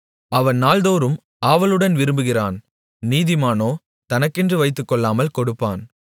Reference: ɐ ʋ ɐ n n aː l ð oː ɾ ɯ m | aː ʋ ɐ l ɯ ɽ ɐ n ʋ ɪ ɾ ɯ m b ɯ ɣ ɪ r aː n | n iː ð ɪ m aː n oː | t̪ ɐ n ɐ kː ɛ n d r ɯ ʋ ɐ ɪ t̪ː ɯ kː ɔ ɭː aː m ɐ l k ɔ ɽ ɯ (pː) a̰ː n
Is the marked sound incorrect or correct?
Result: correct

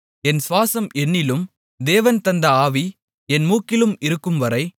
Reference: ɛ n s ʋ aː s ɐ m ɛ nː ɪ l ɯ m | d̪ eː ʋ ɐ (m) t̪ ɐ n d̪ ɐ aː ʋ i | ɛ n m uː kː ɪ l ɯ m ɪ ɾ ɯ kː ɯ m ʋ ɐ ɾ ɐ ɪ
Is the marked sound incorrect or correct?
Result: incorrect: n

